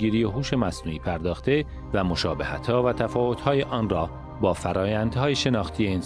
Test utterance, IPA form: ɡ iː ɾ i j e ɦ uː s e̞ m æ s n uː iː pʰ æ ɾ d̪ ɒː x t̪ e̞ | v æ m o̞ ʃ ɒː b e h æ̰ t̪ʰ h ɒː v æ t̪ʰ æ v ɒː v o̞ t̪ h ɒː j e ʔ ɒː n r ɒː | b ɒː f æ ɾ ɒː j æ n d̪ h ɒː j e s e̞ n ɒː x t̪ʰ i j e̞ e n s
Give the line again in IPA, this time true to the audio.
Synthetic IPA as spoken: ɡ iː ɾ i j e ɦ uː ʃ e̞ m æ s n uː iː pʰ æ ɾ d̪ ɒː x t̪ e̞ | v æ m o̞ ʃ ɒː b e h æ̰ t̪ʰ h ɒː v æ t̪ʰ æ f ɒː v o̞ t̪ h ɒː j e ʔ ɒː n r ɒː | b ɒː f æ ɾ ɒː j æ n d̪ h ɒː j e ʃ e̞ n ɒː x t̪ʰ i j e̞ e n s